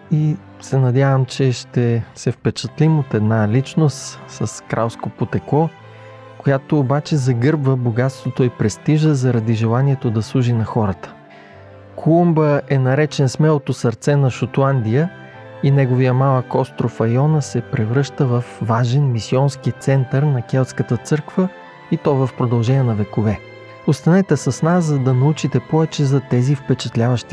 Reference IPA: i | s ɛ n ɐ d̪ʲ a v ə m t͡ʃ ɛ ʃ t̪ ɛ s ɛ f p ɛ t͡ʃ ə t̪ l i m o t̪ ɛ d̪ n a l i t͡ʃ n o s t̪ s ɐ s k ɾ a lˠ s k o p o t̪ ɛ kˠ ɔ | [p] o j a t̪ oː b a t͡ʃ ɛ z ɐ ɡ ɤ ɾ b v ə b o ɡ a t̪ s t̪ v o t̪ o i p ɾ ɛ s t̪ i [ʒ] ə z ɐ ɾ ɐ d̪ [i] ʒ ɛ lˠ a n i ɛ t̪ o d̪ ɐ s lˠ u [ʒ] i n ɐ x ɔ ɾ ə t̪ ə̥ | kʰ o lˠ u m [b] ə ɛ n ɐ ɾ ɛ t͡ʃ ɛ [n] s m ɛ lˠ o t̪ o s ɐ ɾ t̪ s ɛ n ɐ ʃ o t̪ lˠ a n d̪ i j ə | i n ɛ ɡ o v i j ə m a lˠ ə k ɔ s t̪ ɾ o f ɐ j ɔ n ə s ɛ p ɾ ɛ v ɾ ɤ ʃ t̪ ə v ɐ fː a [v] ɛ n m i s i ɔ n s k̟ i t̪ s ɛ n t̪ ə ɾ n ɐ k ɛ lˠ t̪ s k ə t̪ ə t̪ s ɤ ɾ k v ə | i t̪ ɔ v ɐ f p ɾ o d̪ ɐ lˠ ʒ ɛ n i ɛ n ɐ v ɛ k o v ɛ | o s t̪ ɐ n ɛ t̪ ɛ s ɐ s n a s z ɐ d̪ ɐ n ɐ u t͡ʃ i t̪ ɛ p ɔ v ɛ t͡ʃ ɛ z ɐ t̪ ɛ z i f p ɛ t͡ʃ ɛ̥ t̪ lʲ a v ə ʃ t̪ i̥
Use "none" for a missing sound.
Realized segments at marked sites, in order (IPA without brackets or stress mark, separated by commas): k, ʒ, i, ʒ, b, n, ʒ